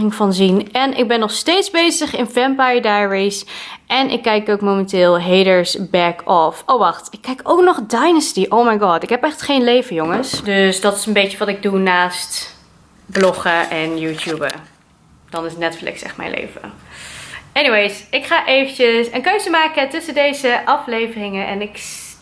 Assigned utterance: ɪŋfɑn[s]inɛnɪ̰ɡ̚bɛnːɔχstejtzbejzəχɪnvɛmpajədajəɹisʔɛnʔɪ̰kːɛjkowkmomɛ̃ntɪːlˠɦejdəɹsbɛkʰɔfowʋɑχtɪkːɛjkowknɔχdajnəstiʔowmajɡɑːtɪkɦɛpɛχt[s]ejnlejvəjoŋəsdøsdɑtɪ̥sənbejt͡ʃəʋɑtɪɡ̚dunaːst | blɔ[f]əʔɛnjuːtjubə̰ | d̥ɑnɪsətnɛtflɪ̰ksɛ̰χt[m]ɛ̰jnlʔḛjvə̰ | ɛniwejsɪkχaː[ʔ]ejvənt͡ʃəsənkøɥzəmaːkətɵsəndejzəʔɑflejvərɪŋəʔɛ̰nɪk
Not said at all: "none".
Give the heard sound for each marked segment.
z, χ, χ, m, ʔ

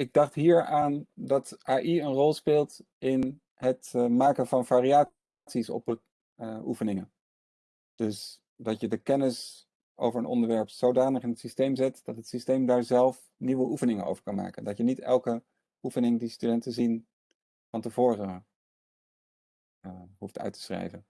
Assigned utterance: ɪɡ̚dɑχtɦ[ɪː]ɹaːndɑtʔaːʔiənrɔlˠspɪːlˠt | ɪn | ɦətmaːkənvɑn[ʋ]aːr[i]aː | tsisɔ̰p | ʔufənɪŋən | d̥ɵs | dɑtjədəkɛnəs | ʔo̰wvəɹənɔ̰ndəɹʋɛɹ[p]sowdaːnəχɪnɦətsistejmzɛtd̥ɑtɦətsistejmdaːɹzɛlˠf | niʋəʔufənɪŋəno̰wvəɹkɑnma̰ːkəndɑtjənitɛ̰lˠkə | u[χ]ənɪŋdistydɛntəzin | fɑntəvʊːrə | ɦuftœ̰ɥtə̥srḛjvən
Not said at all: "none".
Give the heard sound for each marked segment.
iː, v, i, p, f

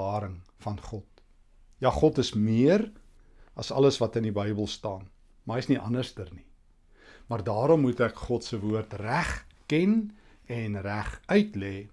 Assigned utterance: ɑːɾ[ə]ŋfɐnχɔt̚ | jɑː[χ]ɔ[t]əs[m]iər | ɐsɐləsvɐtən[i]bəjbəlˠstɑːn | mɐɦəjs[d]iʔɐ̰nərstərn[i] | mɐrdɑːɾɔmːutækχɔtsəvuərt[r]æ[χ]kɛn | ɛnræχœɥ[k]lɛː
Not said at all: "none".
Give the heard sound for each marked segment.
ə, χ, t, m, i, n, i, r, χ, t

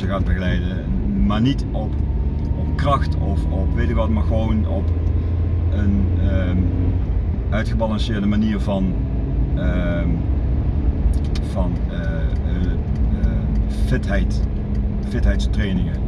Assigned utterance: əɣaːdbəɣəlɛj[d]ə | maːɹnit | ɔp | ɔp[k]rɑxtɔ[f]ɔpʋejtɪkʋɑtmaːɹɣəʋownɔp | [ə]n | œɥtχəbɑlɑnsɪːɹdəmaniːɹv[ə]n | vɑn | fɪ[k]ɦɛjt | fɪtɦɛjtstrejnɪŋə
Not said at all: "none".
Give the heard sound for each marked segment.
d, k, f, ə, ɑ, t

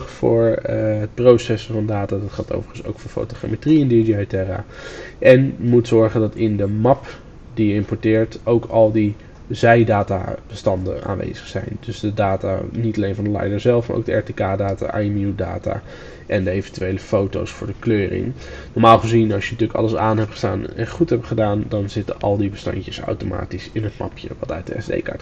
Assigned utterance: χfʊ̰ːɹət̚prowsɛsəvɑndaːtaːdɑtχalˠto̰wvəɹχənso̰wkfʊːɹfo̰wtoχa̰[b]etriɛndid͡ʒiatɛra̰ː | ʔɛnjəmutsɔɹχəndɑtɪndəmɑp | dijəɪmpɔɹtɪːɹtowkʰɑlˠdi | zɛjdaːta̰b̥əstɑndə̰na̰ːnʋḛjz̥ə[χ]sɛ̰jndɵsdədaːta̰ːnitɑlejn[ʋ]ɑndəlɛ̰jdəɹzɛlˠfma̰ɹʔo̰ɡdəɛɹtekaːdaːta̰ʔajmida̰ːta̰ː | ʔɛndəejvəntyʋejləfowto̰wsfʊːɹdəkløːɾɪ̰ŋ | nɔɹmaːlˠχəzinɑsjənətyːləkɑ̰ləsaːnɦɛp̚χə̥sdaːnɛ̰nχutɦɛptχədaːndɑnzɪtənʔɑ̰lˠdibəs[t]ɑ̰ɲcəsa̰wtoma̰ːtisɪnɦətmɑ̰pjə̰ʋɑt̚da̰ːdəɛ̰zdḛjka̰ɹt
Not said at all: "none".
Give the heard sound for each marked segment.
m, χ, v, t

